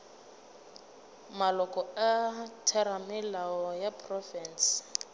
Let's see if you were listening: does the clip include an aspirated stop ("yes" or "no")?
yes